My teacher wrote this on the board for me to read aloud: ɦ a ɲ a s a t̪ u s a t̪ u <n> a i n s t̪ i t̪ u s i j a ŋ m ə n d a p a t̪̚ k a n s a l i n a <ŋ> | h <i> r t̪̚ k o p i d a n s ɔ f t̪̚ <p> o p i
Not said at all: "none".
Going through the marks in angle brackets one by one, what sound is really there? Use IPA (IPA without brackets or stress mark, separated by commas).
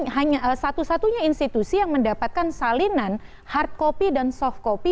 ɲ, n, a, k